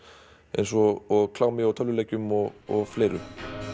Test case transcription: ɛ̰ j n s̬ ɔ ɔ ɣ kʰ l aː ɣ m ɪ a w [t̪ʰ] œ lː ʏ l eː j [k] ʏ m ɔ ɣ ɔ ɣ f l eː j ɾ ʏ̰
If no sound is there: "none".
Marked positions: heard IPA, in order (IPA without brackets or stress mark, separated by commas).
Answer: t̪ʰ, c